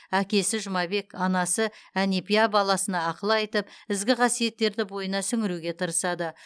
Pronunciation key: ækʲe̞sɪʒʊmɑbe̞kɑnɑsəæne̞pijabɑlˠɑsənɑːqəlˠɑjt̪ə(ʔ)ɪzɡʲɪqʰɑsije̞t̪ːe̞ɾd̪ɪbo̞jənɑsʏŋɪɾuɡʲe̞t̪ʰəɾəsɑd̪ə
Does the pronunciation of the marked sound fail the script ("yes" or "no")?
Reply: yes